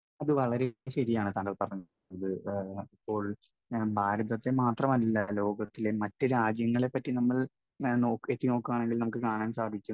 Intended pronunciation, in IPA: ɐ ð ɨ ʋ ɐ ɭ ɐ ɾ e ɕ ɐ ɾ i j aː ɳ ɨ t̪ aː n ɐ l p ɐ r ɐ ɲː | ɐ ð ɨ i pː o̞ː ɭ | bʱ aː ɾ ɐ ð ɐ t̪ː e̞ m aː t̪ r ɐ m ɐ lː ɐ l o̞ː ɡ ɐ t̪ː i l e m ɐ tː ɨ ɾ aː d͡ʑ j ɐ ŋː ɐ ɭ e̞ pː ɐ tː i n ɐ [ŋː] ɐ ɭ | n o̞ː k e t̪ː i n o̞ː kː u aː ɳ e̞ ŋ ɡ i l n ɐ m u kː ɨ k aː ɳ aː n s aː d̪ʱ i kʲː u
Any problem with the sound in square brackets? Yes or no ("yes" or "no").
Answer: yes